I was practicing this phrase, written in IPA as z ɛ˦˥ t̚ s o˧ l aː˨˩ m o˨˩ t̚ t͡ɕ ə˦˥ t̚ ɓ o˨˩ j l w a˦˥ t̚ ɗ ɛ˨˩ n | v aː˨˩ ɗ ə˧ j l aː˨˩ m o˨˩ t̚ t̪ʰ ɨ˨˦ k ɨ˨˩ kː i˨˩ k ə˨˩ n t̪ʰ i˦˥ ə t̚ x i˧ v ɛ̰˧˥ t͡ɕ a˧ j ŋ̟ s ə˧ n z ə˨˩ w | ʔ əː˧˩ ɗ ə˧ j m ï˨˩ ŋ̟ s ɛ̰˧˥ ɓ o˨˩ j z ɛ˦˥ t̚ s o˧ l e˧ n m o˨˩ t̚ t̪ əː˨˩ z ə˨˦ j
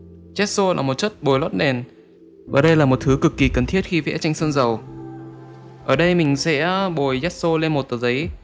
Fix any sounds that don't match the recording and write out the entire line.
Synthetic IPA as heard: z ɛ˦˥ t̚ s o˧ l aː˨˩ m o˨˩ t̚ t͡ɕ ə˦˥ t̚ ɓ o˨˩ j l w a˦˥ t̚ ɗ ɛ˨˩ n | v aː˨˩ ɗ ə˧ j l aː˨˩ m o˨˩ t̚ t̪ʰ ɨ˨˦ k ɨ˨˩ kː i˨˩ k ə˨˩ n t̪ʰ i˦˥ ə t̚ x i˧ v ɛ̰˧˥ t͡ɕ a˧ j ŋ̟ s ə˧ n z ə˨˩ w | ʔ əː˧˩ ɗ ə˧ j m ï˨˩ ŋ̟ s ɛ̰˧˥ ɓ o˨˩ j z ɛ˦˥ t̚ s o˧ l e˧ n m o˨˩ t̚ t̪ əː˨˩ z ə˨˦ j